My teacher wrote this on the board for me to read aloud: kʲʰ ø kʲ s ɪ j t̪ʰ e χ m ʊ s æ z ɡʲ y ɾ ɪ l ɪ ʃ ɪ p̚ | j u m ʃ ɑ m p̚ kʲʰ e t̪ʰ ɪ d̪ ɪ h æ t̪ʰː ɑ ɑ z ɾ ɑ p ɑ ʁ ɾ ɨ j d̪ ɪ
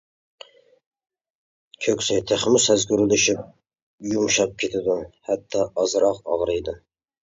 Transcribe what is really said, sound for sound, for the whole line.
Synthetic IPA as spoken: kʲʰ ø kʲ s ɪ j t̪ʰ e χ m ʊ s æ z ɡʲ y ɾ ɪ l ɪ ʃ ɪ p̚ | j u m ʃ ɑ p̚ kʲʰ e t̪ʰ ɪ d̪ ɪ h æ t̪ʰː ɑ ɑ z ɾ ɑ q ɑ ʁ ɾ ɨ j d̪ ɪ

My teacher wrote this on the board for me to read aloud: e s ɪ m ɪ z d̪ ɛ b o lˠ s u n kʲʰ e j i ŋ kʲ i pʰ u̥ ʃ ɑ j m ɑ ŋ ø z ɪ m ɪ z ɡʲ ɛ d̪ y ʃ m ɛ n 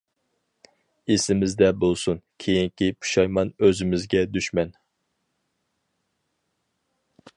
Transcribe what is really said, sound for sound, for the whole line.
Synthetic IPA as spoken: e s ɪ m ɪ z d̪ ɛ b o lˠ s u n kʲʰ e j i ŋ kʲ i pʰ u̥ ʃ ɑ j m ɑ n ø z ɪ m ɪ z ɡʲ ɛ d̪ y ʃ m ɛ n

